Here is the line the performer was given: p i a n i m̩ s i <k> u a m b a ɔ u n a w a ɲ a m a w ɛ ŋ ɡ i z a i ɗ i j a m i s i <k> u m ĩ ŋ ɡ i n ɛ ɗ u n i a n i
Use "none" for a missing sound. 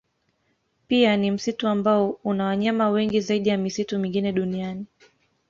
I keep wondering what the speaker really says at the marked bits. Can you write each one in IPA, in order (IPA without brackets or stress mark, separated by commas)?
t, t